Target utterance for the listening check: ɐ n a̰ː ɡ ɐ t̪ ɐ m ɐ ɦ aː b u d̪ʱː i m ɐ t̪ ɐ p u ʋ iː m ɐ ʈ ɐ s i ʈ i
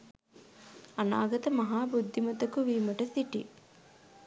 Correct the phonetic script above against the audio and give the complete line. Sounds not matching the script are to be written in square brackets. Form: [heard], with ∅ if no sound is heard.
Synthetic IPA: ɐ n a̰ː ɡ ɐ t̪ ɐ m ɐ ɦ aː b u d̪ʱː i m ɐ t̪ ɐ [k] u ʋ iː m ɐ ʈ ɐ s i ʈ i